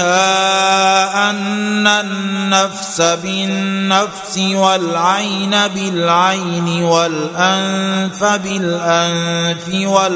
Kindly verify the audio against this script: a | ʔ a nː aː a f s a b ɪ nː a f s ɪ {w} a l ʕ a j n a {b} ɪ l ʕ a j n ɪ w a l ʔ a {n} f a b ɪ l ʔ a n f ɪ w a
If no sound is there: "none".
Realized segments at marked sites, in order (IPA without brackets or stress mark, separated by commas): w, b, n